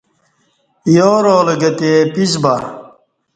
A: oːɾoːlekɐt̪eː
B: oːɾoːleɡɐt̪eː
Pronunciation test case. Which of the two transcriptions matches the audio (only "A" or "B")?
B